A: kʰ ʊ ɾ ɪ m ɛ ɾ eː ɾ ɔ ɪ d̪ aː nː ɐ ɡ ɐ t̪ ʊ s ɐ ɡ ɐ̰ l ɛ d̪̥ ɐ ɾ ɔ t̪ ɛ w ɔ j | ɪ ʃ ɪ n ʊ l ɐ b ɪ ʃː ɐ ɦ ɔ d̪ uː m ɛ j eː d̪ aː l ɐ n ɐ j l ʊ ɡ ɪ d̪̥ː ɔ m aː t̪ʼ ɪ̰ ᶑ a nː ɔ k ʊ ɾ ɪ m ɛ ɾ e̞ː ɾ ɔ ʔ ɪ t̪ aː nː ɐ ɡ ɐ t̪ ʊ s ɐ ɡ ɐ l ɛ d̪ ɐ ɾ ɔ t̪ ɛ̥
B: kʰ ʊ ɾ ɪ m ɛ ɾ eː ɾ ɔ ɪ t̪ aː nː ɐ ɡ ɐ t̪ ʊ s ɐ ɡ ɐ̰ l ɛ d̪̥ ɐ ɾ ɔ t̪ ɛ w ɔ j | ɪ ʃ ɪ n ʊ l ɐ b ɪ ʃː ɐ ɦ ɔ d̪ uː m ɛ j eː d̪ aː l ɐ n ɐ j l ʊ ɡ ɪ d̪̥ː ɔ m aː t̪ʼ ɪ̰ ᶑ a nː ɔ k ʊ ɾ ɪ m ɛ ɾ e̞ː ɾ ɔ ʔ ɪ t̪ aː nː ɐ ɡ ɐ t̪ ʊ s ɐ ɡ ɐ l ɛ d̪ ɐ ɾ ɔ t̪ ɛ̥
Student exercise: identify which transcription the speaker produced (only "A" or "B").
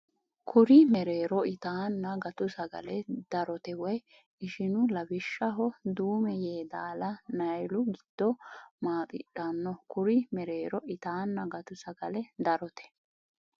B